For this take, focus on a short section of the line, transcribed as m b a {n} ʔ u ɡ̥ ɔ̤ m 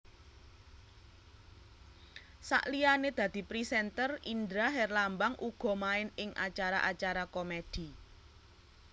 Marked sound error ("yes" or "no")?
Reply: yes